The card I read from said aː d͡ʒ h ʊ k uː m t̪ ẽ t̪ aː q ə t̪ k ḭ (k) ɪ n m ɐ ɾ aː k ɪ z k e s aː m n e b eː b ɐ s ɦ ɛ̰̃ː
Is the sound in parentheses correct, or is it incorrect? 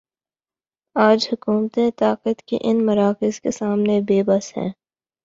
incorrect